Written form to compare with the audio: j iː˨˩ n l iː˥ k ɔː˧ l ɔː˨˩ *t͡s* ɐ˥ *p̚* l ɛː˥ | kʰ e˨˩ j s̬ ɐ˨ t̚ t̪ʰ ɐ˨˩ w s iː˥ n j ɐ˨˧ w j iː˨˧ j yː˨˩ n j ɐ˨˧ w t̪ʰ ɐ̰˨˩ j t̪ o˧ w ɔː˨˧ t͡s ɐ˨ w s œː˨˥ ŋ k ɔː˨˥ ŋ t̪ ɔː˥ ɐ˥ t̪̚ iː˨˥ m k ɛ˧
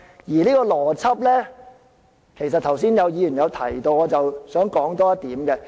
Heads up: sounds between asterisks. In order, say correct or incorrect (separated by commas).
incorrect, correct